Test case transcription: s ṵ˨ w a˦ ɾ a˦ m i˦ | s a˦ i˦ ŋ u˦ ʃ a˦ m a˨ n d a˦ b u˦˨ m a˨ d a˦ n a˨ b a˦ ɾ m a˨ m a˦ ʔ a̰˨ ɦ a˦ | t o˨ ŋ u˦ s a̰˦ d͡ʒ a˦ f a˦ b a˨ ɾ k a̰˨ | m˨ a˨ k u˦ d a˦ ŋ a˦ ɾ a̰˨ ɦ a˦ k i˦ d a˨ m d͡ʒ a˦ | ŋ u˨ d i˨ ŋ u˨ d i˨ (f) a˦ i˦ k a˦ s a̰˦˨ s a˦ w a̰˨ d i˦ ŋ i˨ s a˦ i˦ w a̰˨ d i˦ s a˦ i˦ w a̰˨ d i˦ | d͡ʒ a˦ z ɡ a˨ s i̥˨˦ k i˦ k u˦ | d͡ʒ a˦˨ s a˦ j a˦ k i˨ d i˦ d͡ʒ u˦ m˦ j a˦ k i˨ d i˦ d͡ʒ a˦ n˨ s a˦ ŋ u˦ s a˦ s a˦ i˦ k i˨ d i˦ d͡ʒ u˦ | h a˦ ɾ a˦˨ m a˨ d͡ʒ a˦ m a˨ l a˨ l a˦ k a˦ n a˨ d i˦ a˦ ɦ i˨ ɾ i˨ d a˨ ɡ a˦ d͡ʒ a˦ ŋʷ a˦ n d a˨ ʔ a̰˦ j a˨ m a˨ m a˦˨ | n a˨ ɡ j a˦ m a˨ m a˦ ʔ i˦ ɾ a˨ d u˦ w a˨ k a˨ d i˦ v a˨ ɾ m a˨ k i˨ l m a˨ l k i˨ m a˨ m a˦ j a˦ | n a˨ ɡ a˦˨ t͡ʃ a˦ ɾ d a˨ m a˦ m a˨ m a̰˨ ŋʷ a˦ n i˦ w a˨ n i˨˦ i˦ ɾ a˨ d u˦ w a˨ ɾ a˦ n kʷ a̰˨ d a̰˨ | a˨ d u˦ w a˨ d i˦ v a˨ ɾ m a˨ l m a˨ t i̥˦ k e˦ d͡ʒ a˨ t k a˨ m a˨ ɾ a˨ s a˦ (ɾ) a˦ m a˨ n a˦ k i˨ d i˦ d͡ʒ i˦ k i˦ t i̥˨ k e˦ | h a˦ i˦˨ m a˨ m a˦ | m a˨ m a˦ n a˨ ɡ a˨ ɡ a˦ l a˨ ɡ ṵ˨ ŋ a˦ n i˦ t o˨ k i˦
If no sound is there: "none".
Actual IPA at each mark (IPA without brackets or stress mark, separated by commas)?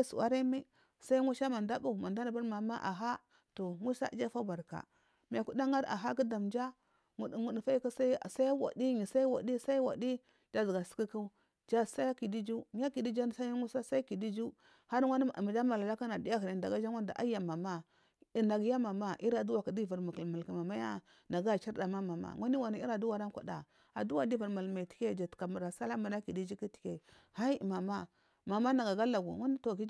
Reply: f, l